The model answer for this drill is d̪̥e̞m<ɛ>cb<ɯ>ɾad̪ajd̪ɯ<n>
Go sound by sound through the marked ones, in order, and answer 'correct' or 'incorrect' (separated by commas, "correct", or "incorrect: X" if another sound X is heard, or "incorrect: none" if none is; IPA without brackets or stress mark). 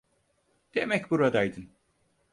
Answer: correct, incorrect: u, correct